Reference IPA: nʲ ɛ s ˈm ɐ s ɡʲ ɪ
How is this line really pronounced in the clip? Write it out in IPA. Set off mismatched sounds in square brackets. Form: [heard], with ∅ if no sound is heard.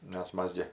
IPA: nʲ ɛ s ˈm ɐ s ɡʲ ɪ

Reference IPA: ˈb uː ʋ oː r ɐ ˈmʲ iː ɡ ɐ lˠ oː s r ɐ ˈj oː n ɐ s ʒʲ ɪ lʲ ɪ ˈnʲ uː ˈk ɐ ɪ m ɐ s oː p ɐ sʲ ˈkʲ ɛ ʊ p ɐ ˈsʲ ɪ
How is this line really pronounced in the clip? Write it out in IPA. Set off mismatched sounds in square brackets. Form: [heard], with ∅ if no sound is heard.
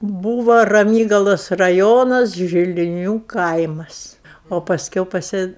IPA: ˈb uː ʋ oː r ɐ ˈmʲ iː ɡ ɐ lˠ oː s r ɐ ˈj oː n ɐ s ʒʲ ɪ lʲ ɪ ˈnʲ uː ˈk ɐ ɪ m ɐ s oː p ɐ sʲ ˈkʲ ɛ ʊ p ɐ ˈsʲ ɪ

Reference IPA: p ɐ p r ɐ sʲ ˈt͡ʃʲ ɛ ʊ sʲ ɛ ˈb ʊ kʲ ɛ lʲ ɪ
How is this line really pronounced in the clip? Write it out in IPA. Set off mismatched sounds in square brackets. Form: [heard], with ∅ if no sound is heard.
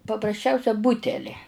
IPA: p ɐ p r ɐ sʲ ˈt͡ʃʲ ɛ ʊ sʲ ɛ ˈb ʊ [tʲ] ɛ lʲ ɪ

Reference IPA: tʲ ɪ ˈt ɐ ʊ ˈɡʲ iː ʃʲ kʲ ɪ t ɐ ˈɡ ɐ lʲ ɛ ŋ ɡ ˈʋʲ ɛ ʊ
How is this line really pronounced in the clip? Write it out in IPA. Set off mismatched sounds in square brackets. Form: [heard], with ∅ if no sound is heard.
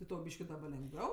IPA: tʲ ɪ ˈt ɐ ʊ [ˈbʲ] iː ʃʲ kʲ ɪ [d] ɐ [ˈb] ɐ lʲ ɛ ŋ ɡ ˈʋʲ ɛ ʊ

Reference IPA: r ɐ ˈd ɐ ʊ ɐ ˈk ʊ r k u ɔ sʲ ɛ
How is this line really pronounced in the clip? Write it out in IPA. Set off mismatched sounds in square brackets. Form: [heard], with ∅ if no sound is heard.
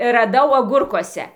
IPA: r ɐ ˈd ɐ ʊ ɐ [ˈɡ] ʊ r k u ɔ sʲ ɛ

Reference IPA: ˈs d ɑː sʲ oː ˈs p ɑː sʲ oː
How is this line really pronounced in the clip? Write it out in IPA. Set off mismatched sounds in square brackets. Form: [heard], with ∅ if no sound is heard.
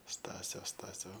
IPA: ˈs [t] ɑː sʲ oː ˈs [t] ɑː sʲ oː

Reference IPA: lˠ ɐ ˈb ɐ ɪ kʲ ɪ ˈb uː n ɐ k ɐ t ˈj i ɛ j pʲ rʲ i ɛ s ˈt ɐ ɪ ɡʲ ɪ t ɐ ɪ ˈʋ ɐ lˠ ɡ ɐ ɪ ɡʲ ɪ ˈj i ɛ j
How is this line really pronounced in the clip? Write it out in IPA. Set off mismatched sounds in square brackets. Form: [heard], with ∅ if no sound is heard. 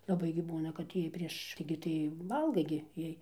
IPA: lˠ ɐ ˈb ɐ ɪ [ɡʲ] ɪ ˈb uː n ɐ k ɐ t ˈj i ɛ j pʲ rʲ i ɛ [ʃ] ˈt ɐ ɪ ɡʲ ɪ t ɐ ɪ ˈʋ ɐ lˠ ɡ ɐ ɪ ɡʲ ɪ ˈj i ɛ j

